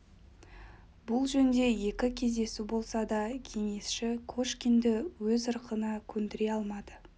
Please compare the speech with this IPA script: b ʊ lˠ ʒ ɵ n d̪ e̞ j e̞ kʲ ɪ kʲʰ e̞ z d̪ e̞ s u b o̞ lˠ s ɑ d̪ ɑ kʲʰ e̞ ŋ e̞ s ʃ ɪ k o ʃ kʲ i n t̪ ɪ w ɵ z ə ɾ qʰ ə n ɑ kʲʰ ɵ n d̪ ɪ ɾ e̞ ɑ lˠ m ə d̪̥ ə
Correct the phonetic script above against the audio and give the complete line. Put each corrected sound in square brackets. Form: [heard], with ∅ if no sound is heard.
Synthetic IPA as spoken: b ʊ lˠ ʒ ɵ n d̪ e̞ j e̞ kʲ ɪ kʲʰ e̞ z d̪ e̞ s u b o̞ lˠ s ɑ d̪ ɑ kʲʰ e̞ ŋ e̞ s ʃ ɪ [kʰ] o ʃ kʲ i n [d̪] ɪ w ɵ z ə ɾ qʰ ə n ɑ kʲʰ ɵ n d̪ ɪ ɾ e̞ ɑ lˠ m [ɑ] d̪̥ ə